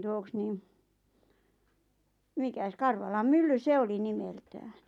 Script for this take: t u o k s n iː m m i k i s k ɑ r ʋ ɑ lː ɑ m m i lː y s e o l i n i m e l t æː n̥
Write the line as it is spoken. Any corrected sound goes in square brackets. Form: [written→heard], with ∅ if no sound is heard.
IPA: t u o k s n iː m m i k [i→æ] s k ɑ r ʋ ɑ [lː→l] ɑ m m [i→y] lː y s e o l i n i m e l t æː n̥